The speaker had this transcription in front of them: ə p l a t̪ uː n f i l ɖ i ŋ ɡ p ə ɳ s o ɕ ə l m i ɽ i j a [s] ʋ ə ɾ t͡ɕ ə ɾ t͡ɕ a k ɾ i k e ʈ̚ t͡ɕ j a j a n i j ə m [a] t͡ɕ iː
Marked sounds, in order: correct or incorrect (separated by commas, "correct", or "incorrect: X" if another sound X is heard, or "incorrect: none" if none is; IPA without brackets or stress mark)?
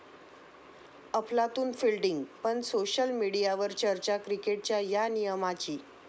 incorrect: none, correct